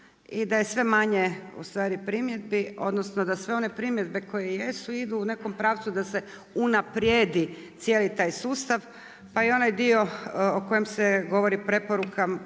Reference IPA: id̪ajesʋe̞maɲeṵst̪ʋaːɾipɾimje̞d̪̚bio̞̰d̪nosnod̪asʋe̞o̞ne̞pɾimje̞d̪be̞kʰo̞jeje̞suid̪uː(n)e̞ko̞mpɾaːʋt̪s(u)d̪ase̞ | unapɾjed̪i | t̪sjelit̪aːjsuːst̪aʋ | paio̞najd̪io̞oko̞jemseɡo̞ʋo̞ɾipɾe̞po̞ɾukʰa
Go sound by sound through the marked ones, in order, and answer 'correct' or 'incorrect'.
correct, correct

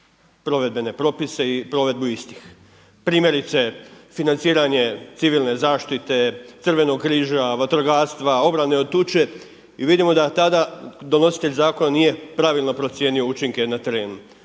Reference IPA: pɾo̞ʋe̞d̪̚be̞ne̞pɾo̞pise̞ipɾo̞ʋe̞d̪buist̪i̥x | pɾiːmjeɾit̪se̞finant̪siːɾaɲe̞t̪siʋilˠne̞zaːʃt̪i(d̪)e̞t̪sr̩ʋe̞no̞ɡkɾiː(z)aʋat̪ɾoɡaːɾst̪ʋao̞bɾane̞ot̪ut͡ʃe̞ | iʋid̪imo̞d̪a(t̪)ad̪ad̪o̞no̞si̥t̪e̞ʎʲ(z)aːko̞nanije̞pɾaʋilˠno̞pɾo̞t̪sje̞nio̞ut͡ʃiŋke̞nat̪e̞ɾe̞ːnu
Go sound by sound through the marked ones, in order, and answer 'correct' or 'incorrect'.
incorrect, incorrect, correct, correct

